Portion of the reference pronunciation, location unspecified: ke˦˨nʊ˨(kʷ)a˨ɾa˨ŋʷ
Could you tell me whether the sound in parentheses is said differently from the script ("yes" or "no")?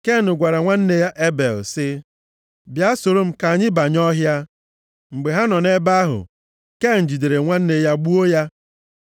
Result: yes